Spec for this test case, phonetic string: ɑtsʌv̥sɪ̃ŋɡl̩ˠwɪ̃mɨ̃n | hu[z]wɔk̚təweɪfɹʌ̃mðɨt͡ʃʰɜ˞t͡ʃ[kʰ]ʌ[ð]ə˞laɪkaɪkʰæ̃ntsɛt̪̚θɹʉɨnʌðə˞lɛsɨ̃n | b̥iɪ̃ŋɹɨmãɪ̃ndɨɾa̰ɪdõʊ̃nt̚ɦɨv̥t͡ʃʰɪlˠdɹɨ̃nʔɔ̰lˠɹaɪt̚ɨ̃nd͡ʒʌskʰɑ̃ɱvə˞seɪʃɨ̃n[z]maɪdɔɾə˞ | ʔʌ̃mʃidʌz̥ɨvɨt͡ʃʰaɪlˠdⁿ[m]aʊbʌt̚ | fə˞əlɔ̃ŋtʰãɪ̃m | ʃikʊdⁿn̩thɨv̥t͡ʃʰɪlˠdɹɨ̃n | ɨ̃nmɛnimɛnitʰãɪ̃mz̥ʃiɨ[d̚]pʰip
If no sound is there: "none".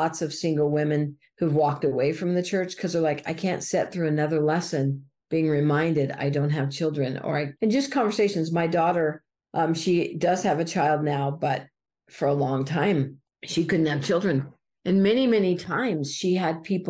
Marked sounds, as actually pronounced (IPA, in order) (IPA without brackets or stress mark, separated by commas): v, kʰ, z, z, n, d̚